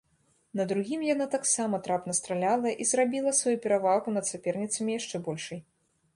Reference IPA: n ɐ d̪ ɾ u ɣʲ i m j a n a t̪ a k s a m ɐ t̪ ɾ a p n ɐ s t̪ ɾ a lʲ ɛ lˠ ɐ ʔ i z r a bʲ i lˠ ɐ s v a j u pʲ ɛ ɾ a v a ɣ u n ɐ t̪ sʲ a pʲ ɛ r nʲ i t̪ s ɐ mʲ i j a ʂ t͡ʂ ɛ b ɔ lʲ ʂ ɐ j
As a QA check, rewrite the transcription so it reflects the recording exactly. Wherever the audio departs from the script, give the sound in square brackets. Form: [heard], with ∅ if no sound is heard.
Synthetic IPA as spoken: n ɐ d̪ ɾ u ɣʲ i m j a n a t̪ a k s a m ɐ t̪ ɾ a p n ɐ s t̪ ɾ a lʲ [a] lˠ ɐ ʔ i z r a bʲ i lˠ ɐ s v a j u pʲ ɛ ɾ a v a ɣ u n ɐ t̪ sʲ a pʲ ɛ r nʲ i t̪ s ɐ mʲ i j a ʂ t͡ʂ ɛ b ɔ lʲ ʂ ɐ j